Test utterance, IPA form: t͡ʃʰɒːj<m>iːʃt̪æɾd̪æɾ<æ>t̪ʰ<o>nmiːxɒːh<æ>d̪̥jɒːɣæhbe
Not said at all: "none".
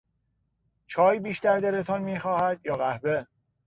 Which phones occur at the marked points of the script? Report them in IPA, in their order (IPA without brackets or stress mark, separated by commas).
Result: b, e, ɒ, æ